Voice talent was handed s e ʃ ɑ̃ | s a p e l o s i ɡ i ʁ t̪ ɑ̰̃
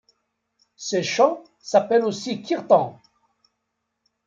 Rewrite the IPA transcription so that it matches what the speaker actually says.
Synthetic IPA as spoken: s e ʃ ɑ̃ | s a p ɛ l o s i k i ʁ t̪ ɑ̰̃